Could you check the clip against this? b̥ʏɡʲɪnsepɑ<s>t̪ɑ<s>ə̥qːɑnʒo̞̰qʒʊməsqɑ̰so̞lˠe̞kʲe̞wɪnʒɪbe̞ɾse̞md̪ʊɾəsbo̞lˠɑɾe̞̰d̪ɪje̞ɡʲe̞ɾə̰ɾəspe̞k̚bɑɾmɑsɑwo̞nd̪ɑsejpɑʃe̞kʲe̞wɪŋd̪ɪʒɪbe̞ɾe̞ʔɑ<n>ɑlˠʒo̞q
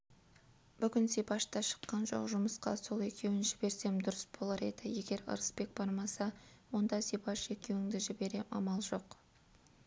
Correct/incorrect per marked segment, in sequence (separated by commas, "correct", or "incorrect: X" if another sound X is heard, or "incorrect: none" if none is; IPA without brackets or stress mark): incorrect: ʃ, incorrect: ʃ, incorrect: m